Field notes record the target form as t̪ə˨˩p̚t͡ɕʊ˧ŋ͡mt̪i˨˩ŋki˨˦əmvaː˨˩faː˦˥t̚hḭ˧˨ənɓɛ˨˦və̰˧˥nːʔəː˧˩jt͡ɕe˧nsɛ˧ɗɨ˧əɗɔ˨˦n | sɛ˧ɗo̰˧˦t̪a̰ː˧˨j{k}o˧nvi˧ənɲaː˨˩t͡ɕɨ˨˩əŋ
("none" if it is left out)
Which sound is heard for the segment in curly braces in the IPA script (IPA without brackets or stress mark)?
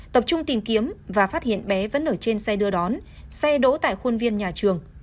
x